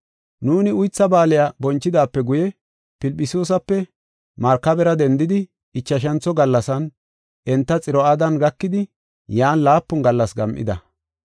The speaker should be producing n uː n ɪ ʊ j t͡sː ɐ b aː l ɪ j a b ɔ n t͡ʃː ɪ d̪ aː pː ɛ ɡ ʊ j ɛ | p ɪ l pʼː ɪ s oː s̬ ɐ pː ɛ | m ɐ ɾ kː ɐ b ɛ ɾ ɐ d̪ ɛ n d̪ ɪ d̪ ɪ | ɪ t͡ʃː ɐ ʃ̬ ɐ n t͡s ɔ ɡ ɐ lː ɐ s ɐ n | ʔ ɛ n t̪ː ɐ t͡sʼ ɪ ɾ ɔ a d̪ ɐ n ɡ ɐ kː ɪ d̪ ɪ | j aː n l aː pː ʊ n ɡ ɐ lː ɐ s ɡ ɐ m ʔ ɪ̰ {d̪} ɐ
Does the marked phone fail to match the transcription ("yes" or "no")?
no